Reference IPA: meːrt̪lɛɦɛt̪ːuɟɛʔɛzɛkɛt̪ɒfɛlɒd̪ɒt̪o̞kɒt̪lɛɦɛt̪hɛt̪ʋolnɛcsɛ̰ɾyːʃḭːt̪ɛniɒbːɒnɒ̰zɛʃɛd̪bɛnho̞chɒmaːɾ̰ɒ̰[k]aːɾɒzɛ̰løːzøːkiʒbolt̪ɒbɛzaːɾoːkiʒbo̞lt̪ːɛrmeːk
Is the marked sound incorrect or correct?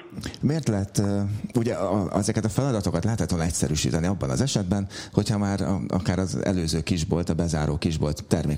correct